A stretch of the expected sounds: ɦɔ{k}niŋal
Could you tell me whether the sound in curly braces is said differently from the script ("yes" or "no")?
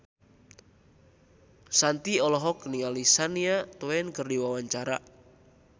no